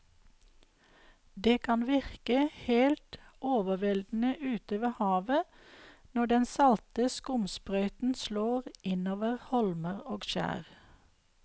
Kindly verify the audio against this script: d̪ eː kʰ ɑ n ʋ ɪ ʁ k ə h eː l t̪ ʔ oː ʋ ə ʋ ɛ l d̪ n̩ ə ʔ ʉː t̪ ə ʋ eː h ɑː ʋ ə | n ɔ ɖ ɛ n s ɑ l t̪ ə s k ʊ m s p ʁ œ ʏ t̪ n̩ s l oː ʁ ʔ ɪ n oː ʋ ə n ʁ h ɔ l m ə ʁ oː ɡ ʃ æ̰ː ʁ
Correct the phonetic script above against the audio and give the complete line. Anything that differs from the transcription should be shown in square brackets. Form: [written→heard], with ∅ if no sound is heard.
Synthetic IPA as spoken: d̪ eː kʰ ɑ n ʋ ɪ ʁ k ə h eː l t̪ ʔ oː ʋ ə ʋ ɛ l d̪ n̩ ə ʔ ʉː t̪ ə ʋ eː h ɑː ʋ ə | n ɔ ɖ ɛ n s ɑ l t̪ ə s k ʊ m s p ʁ œ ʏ t̪ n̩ s l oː ʁ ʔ ɪ n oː ʋ ə [n→∅] ʁ h ɔ l m ə ʁ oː ɡ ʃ æ̰ː ʁ